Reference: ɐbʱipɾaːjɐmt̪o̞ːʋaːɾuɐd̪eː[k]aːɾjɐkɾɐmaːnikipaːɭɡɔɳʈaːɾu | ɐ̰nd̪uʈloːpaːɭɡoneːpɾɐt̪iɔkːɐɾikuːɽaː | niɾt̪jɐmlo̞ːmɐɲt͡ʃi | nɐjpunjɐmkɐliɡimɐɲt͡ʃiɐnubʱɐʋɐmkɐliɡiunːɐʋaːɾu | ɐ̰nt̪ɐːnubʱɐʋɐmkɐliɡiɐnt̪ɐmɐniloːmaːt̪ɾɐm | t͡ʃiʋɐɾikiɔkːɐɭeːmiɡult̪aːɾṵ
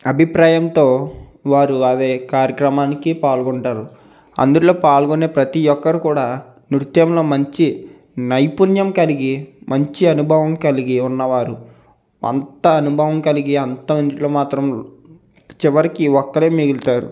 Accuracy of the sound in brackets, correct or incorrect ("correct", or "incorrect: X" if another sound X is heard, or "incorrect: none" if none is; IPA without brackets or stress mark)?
correct